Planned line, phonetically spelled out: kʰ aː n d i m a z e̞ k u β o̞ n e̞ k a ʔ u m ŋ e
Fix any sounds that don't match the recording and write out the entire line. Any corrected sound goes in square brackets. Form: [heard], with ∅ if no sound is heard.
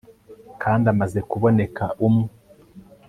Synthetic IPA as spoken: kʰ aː n d [a] m a z e̞ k u β o̞ n e̞ k a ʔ u m ŋ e